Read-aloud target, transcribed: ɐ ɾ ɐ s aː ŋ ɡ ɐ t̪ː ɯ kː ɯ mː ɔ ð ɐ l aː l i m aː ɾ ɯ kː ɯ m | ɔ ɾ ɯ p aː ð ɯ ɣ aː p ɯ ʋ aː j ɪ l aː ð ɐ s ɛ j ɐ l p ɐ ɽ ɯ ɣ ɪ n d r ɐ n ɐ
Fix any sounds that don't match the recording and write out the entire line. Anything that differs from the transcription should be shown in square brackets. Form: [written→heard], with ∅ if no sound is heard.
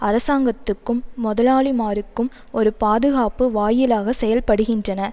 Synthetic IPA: ɐ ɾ ɐ s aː ŋ ɡ ɐ t̪ː ɯ kː ɯ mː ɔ ð ɐ l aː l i m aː ɾ ɯ kː ɯ m | ɔ ɾ ɯ p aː ð ɯ ɣ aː p ɯ ʋ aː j ɪ l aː [ð→ɣ] ɐ s ɛ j ɐ l p ɐ ɽ ɯ ɣ ɪ n d r ɐ n ɐ